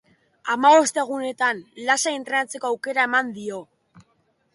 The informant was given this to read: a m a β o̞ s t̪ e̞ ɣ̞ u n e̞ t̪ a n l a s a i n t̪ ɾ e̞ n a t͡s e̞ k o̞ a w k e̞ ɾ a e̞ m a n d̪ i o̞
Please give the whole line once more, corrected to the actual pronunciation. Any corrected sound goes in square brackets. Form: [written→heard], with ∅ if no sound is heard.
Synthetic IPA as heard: a m a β o̞ s t̪ e̞ ɣ̞ u n e̞ t̪ a n l a s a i n t̪ ɾ e̞ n a t͡s e̞ k o̞ a w k e̞ ɾ a e̞ m a n d̪ i o̞